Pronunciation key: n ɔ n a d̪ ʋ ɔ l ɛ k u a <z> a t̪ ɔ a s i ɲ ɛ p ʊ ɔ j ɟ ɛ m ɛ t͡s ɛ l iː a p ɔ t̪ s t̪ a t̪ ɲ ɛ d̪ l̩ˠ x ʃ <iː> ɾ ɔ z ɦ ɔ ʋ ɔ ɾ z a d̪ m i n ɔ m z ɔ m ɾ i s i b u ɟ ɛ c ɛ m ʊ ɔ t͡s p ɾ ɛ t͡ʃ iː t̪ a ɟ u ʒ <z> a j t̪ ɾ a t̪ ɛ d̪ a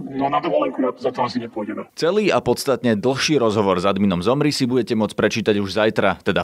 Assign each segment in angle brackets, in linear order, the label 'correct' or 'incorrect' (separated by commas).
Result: correct, correct, correct